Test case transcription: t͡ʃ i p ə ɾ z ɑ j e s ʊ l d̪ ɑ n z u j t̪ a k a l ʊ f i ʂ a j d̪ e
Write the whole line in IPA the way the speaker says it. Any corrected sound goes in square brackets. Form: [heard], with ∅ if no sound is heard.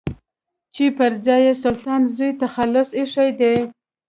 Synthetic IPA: t͡ʃ i p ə ɾ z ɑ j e s ʊ l [t̪] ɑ n z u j t̪ a [x] a l ʊ [s] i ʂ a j d̪ e